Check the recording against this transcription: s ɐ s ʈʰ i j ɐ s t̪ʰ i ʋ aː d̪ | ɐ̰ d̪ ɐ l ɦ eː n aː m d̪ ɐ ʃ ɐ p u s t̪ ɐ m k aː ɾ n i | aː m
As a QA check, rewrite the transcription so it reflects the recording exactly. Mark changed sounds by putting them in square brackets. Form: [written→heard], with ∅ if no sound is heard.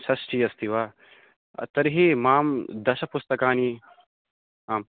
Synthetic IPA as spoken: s ɐ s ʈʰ i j ɐ s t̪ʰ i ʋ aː [d̪→∅] | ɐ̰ [d̪→t̪] ɐ [l→ɾ] ɦ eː [n→m] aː m d̪ ɐ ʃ ɐ p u s t̪ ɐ [m→∅] k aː [ɾ→∅] n i | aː m